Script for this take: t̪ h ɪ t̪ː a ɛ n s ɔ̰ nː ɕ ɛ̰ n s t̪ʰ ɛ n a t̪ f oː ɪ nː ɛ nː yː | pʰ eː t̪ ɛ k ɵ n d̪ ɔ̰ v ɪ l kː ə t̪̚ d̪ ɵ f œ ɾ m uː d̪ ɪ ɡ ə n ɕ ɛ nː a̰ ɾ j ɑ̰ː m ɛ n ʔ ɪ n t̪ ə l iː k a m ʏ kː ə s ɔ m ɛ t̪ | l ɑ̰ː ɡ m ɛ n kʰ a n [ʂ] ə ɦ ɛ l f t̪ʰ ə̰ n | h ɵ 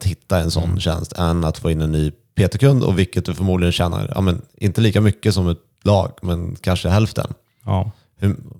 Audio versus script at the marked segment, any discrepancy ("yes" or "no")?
no